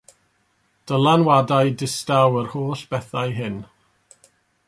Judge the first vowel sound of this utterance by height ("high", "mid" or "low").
mid